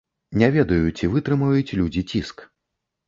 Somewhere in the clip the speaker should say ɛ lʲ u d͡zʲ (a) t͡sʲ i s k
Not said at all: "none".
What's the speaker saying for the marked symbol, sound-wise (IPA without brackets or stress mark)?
i